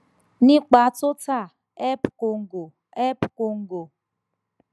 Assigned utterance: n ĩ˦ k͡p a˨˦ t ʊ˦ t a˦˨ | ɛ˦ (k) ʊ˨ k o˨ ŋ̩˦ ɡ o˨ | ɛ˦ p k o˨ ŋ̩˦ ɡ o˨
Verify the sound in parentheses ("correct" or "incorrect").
incorrect